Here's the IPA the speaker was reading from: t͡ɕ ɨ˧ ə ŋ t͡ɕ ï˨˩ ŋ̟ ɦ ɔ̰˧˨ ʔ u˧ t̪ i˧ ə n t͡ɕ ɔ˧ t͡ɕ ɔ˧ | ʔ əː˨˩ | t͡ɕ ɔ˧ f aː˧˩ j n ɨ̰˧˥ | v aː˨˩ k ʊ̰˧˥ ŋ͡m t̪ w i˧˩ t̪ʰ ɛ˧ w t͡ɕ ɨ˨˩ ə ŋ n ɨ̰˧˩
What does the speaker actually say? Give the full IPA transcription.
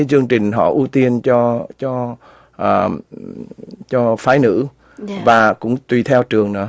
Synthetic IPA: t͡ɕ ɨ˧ ə ŋ t͡ɕ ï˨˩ ŋ̟ ɦ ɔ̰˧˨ ʔ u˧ t̪ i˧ ə n t͡ɕ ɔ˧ t͡ɕ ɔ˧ | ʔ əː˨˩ | t͡ɕ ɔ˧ f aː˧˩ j n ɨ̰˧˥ | v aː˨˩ k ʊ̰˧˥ ŋ͡m t̪ w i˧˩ t̪ʰ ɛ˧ w t͡ɕ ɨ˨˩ ə ŋ n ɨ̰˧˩